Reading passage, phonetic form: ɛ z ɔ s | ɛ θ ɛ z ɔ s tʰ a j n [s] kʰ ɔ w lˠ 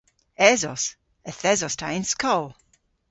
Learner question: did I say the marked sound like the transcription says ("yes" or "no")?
yes